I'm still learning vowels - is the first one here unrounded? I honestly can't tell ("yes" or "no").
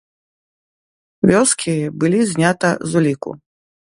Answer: no